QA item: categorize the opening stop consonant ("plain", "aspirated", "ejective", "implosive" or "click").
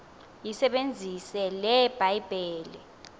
implosive